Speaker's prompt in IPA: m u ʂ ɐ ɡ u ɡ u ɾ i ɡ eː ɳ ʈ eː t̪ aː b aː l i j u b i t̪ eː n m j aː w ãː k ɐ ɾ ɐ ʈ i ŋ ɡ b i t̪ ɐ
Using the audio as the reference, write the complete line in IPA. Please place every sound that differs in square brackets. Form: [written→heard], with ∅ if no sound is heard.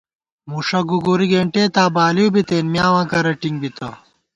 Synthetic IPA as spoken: m u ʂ ɐ ɡ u ɡ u ɾ i ɡ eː ɳ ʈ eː t̪ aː b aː l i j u b i t̪ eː n m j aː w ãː k ɐ ɾ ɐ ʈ i ŋ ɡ b i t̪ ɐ